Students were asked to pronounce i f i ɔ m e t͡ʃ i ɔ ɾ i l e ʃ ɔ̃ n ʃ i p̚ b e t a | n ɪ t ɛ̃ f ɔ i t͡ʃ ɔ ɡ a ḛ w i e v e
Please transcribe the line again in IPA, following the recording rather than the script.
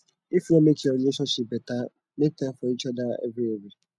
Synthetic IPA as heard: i f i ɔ m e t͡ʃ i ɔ ɾ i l e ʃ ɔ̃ n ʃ i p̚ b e t a | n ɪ t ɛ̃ f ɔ i t͡ʃ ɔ d a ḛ v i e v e